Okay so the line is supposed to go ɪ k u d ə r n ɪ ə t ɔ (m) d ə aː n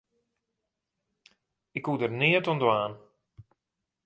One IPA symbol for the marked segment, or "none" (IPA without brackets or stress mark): n